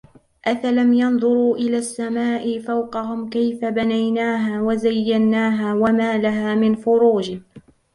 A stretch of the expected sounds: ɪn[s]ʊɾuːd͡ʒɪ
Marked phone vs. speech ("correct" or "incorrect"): incorrect